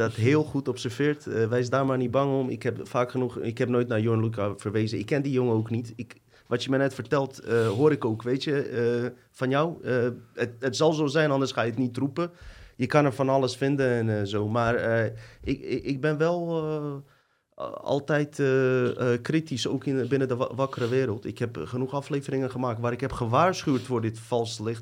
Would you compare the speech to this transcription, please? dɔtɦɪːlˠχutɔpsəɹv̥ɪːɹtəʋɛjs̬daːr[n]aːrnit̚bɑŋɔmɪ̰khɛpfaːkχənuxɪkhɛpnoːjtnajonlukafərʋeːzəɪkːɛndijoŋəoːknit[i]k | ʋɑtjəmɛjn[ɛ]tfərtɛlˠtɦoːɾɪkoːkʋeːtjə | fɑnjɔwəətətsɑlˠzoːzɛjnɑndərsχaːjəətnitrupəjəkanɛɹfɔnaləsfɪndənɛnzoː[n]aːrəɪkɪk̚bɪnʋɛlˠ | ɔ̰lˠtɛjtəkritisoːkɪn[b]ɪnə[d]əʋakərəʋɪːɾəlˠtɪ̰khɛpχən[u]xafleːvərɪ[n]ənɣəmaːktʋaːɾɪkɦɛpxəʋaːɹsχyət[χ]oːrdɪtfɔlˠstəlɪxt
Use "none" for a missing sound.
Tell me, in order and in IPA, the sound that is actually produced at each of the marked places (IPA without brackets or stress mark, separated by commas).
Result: m, ɪ, ɛ, m, b, d, u, ŋ, f